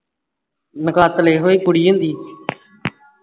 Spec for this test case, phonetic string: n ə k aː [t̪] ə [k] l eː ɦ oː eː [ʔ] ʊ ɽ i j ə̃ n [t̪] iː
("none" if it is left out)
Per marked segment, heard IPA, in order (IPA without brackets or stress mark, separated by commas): t̪, none, k, d̪